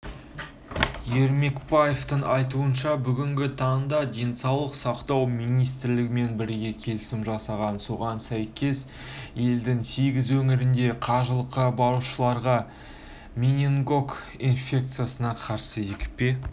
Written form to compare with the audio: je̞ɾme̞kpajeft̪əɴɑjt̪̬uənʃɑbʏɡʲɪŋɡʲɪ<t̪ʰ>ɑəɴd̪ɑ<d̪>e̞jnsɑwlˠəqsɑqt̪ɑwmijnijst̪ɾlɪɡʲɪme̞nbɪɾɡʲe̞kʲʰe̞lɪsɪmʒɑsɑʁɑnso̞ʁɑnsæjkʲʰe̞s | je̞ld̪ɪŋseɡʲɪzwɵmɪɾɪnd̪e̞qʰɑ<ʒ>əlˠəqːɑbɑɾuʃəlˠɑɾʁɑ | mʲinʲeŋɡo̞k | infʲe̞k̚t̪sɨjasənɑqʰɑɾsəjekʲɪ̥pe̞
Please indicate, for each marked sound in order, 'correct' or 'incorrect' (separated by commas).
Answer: correct, correct, correct